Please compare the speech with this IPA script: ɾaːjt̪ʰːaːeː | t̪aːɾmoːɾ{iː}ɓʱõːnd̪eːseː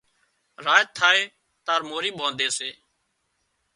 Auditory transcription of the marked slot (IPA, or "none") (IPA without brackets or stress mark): iː